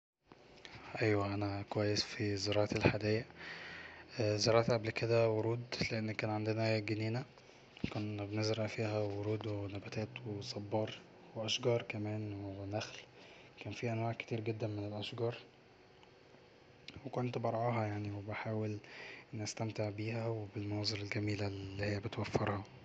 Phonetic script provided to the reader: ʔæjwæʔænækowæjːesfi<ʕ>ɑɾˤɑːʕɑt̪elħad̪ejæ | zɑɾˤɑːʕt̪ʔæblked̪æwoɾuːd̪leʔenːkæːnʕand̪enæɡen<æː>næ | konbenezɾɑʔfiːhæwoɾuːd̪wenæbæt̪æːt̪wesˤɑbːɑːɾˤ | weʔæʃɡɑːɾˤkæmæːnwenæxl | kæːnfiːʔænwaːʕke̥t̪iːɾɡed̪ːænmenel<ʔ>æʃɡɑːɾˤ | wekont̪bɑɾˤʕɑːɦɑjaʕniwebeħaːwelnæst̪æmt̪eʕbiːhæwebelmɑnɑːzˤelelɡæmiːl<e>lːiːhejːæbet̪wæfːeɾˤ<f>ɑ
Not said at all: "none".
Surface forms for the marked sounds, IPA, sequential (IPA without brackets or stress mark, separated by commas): z, iː, ʔ, æ, h